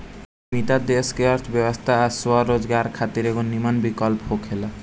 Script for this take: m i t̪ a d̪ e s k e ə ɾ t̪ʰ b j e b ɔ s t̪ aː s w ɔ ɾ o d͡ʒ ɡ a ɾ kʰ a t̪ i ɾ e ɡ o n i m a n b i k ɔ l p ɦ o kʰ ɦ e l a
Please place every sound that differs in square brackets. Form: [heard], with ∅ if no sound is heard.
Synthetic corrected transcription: m i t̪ a d̪ e s k e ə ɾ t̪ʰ b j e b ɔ s [t̪ʰ] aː s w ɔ ɾ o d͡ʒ ɡ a ɾ kʰ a t̪ i ɾ e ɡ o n i m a n b i k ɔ l p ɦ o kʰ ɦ e l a